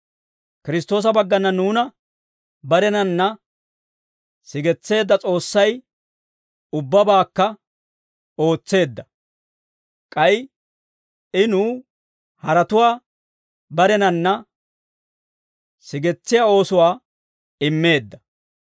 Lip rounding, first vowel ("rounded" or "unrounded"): unrounded